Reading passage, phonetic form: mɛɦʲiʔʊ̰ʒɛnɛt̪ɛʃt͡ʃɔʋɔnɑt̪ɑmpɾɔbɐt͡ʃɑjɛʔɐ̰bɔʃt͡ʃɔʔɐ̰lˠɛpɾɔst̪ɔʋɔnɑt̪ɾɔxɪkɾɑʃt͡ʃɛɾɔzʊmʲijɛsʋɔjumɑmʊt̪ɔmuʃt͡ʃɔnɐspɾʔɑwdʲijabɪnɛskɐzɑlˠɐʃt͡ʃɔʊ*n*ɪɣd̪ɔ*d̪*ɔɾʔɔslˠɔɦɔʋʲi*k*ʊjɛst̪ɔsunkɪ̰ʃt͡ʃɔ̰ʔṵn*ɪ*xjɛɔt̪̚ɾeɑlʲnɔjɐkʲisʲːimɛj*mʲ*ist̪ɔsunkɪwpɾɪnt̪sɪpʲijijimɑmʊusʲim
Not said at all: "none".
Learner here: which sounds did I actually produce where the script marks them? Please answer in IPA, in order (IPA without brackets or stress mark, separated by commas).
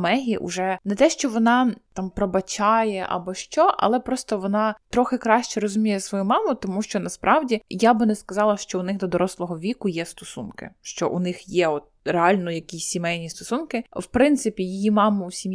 n, d̪, k, ɪ, nʲ